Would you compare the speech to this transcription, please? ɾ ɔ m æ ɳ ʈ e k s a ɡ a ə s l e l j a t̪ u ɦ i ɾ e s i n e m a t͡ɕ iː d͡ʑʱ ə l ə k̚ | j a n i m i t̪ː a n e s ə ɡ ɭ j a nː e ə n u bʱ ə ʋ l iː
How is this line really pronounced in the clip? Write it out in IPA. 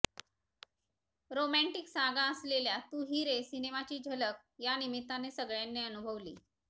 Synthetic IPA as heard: ɾ o m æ ɳ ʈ i k s a ɡ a ə s l e l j a t̪ u ɦ i ɾ e s i n e m a t͡ɕ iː d͡ʑʱ ə l ə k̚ | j a n i m i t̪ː a n e s ə ɡ ɭ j a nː e ə n u bʱ ə ʋ l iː